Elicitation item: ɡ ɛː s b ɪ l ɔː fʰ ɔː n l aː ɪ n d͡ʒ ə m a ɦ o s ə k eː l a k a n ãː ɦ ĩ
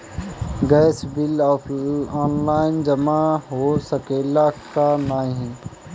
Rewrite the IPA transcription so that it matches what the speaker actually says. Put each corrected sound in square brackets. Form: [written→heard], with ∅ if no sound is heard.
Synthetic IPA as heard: ɡ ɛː s b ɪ l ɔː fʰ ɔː n l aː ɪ n d͡ʒ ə m a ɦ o s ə k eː l a k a n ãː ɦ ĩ